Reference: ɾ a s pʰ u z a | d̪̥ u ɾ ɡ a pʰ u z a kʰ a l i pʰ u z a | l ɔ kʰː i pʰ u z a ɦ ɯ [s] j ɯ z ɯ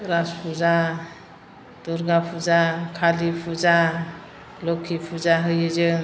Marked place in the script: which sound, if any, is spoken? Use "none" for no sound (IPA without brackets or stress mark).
none